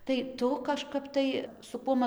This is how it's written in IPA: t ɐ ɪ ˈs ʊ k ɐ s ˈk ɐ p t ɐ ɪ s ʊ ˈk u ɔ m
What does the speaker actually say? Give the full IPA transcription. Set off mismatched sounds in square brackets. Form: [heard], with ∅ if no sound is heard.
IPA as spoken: t ɐ ɪ [ˈt] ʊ k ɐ [ʃ] ˈk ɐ p t ɐ ɪ s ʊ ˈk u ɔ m